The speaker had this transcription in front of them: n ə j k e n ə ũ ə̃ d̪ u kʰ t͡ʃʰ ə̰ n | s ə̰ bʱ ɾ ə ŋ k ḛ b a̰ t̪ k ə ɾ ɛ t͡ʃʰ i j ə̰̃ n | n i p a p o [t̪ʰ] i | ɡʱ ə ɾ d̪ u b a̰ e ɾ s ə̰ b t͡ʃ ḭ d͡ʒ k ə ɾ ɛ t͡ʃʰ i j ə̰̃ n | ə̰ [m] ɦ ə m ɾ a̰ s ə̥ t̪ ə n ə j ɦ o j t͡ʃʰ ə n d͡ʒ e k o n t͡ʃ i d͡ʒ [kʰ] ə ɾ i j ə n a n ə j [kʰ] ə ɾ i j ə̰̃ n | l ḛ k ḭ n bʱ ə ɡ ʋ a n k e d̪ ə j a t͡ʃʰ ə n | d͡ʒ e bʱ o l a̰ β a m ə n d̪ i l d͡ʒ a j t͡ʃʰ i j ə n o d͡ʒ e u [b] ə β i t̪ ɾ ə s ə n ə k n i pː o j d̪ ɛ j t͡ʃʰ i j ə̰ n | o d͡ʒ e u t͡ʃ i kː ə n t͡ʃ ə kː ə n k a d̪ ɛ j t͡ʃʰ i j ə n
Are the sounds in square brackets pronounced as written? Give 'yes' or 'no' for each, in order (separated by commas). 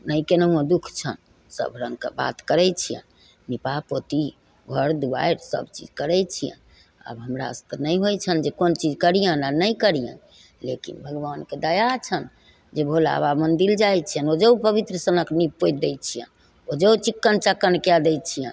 no, no, no, no, no